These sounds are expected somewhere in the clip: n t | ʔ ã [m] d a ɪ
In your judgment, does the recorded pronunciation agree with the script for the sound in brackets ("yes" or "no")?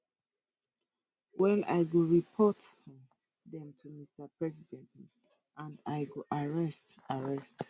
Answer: no